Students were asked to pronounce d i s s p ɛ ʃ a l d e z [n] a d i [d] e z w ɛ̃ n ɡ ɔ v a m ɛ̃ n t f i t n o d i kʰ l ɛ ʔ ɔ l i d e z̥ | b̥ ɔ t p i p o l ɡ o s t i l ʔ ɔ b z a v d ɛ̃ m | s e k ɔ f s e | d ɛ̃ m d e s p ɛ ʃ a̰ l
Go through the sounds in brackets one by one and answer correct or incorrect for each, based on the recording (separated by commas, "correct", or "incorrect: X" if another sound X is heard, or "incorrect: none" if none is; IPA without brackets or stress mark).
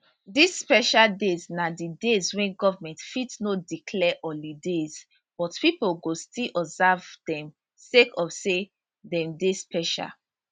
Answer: correct, correct